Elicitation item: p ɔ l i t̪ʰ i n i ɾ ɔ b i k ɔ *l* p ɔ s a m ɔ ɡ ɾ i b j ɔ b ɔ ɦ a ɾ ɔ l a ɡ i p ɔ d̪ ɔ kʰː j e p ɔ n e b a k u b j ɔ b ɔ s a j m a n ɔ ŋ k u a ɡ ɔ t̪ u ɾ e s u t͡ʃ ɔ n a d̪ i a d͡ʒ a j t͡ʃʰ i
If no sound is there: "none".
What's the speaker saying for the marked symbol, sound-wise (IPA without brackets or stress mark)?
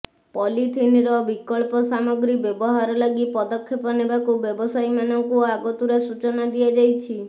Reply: ɭ